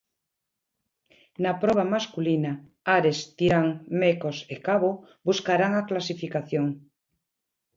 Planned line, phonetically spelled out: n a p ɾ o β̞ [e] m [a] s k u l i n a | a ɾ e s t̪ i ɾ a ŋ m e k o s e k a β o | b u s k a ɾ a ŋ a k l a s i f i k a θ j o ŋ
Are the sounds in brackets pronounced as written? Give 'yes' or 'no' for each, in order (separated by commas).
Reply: no, yes